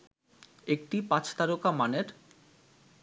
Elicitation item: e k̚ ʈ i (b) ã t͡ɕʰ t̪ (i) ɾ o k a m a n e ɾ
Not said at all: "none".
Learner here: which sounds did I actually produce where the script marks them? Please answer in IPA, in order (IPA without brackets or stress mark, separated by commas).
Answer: p, a